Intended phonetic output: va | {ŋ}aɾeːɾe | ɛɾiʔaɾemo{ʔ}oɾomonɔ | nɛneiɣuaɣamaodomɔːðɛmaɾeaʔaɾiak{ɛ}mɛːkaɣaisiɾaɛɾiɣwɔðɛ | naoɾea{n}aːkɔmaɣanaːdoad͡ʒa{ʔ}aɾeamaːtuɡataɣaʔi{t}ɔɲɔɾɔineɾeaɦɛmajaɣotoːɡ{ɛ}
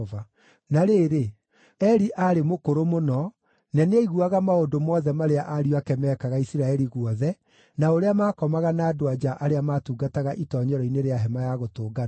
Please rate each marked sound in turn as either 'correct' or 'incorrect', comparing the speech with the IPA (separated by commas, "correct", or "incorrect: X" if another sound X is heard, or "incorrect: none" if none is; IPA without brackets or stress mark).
incorrect: n, incorrect: k, correct, incorrect: m, correct, correct, incorrect: a